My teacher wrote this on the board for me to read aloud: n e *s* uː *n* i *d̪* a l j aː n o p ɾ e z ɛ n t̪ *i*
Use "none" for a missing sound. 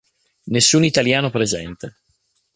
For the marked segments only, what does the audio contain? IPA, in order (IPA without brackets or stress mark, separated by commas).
sː, n, t̪, e